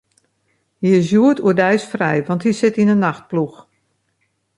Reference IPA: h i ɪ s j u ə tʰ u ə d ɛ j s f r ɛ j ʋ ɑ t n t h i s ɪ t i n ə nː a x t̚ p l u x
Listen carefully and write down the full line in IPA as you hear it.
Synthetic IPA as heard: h i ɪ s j u ə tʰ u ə d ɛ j s f r ɛ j ʋ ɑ n t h i s ɪ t i n ə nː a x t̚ p l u x